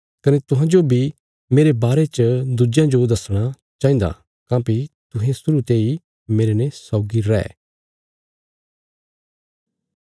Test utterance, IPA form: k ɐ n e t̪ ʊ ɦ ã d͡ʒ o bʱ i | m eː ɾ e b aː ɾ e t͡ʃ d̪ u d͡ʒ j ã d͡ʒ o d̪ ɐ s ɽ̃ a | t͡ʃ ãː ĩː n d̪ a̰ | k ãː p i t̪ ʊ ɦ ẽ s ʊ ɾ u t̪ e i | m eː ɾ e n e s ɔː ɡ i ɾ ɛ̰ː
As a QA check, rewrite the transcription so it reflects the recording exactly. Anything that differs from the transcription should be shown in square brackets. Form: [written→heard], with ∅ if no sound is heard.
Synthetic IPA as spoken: k ɐ n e t̪ ʊ ɦ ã d͡ʒ o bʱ i | m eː ɾ e b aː ɾ e t͡ʃ d̪ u d͡ʒ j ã d͡ʒ o d̪ ɐ s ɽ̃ a | t͡ʃ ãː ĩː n d̪ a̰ | k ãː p i t̪ ʊ ɦ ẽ s ʊ ɾ u t̪ e i | m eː ɾ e n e s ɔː ɡ i ɾ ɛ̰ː